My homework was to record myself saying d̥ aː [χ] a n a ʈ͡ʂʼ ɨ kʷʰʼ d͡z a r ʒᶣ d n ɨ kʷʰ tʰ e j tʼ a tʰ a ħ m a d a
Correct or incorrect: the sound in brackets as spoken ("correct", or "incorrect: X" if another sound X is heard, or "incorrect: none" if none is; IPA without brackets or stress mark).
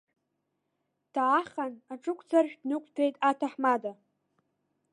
correct